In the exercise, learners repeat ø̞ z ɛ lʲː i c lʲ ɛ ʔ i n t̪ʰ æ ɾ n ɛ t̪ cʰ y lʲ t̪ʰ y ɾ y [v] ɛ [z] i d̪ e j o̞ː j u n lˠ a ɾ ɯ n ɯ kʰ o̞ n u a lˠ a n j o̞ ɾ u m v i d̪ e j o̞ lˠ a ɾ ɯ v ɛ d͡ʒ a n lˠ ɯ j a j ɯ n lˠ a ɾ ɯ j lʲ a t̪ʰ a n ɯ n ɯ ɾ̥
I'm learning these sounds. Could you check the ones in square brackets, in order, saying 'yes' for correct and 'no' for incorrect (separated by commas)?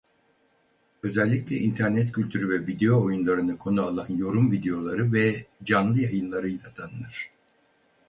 yes, no